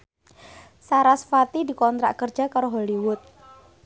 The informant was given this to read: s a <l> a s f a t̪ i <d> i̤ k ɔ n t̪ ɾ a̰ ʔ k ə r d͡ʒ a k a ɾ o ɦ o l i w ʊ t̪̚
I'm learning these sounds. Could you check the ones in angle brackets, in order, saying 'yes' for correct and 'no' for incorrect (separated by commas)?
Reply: no, yes